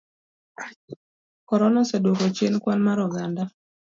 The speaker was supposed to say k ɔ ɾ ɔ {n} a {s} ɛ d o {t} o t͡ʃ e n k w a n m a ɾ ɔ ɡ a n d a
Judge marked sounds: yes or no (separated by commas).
yes, yes, no